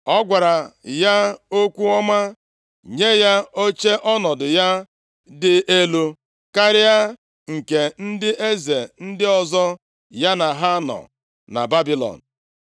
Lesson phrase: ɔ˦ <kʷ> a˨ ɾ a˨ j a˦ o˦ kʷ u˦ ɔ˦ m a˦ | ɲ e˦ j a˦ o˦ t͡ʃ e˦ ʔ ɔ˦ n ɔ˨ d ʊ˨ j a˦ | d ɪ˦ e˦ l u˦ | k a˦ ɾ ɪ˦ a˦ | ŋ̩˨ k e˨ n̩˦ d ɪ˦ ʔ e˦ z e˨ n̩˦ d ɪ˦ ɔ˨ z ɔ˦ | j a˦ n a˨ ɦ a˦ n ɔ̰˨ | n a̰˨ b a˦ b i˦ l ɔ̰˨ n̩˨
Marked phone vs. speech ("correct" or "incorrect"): incorrect